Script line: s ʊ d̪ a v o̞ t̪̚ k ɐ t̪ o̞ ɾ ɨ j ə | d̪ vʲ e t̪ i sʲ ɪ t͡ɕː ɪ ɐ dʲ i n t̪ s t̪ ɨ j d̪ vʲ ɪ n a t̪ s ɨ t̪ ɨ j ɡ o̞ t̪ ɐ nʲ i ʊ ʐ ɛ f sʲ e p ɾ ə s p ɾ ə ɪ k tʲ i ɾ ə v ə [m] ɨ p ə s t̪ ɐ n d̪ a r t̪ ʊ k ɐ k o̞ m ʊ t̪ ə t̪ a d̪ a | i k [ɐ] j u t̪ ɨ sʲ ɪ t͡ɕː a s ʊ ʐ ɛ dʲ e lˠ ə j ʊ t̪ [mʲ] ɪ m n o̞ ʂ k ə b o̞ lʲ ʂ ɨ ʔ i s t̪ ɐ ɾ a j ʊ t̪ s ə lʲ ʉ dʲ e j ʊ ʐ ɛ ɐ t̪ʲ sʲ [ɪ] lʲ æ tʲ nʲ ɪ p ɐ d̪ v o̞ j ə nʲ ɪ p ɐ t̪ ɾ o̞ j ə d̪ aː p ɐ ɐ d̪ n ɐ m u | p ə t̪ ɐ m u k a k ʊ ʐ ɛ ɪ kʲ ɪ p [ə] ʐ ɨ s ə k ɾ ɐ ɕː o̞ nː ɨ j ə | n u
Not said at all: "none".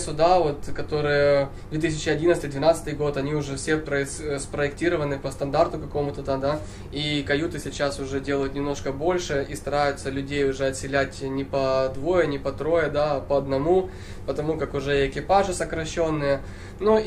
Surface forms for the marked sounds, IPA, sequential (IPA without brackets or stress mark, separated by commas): n, ɐ, nʲ, ɪ, a